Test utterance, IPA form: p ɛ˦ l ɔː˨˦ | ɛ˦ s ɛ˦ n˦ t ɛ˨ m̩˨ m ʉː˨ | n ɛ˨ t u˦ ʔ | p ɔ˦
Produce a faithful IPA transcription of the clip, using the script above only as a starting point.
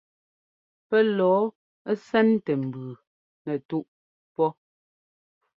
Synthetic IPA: p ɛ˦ l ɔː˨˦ | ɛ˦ s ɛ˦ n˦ t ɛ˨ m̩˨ b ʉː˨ | n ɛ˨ t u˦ ʔ | p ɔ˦